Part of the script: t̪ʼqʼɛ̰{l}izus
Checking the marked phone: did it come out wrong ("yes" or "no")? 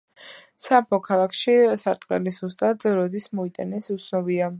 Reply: no